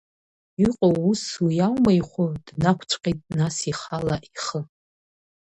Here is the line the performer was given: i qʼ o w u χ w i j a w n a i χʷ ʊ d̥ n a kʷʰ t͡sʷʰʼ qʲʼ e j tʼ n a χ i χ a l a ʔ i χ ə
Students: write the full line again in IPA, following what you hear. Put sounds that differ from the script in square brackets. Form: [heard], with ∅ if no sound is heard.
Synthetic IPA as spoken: i qʼ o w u [s] w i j a w [m] a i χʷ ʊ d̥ n a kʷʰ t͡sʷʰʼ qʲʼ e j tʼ n a [s] i χ a l a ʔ i χ ə